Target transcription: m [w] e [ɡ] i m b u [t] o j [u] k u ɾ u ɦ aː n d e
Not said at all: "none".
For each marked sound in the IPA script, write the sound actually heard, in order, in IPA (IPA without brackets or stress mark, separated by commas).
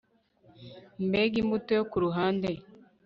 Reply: b, ɡ, t, o